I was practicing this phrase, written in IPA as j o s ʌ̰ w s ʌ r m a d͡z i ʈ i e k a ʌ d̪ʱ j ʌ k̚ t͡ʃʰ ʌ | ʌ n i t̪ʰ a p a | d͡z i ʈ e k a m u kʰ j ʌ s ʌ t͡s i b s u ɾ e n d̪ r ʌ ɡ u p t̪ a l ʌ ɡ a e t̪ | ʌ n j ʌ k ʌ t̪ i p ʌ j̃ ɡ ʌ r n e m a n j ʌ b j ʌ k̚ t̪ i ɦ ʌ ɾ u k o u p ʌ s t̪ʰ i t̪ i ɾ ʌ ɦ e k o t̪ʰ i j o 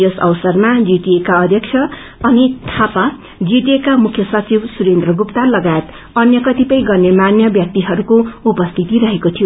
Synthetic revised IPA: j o s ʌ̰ w s ʌ r m a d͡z i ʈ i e k a ʌ d̪ʱ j ʌ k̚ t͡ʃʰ ʌ | ʌ n i t̪ʰ a p a | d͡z i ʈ e k a m u kʰ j ʌ s ʌ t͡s i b s u ɾ e n d̪ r ʌ ɡ u p t̪ a l ʌ ɡ a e t̪ | ʌ n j ʌ k ʌ t̪ i p ʌ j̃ ɡ ʌ r n e m a n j ʌ b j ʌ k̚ t̪ i ɦ ʌ ɾ u k o u p ʌ s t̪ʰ i t̪ i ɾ ʌ ɦ e k o t̪ʰ i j o